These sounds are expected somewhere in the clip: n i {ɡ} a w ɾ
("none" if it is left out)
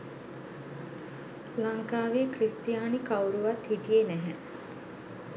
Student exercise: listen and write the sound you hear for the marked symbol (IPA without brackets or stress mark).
k